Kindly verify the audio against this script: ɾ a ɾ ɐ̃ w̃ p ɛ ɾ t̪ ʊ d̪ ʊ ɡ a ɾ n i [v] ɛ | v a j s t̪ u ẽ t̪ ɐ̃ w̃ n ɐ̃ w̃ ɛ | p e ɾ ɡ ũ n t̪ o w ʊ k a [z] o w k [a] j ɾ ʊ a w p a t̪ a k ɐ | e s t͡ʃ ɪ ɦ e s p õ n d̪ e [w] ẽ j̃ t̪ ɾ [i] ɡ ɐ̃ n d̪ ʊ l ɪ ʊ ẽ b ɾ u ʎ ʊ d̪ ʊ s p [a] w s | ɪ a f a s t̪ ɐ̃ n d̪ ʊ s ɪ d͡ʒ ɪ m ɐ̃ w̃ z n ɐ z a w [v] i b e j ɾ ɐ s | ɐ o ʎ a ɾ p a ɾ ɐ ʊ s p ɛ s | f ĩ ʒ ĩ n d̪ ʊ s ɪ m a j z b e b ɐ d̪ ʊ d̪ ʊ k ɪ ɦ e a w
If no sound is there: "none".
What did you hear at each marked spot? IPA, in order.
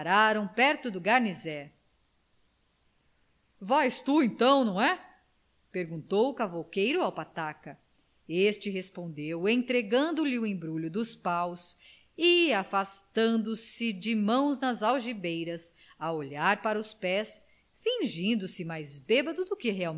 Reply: z, v, e, w, e, a, ʒ

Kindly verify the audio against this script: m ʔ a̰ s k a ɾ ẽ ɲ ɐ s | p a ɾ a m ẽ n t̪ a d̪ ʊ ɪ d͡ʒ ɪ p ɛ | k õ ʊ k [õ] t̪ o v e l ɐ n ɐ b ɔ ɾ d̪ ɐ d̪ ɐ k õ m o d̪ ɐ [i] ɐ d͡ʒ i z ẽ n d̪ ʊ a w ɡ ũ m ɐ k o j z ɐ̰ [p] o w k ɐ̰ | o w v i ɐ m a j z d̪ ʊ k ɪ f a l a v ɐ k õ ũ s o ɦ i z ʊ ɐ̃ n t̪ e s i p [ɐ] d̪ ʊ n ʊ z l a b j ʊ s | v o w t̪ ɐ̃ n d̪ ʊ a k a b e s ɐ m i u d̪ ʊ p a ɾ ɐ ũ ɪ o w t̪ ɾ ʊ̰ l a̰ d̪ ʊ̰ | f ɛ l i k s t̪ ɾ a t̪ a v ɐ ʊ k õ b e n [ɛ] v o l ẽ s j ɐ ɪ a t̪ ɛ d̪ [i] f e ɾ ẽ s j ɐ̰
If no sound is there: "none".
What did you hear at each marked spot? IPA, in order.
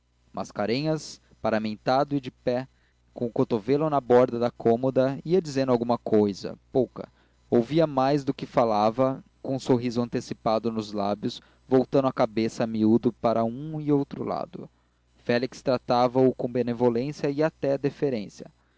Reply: o, i, p, a, e, e

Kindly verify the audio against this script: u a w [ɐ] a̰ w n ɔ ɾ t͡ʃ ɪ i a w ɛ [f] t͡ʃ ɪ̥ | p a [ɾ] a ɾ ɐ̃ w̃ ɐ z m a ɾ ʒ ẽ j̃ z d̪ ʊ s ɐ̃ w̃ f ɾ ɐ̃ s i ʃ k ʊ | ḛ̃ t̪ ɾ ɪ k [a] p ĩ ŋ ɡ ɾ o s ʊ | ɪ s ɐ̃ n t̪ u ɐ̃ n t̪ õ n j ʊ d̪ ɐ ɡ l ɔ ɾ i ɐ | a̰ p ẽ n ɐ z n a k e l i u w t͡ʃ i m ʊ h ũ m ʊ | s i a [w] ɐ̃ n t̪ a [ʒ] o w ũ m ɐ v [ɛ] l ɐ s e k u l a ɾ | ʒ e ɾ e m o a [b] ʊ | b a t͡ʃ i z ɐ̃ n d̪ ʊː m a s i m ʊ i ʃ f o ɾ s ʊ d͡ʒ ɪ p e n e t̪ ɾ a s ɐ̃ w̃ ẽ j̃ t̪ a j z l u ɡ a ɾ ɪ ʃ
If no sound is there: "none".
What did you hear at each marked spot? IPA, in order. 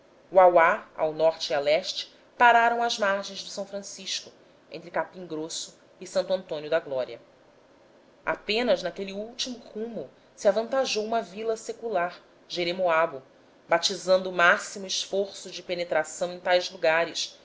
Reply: a, ʃ, ɾ, a, v, ʒ, i, b

